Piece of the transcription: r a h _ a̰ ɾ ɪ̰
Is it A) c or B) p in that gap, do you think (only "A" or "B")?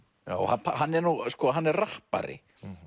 B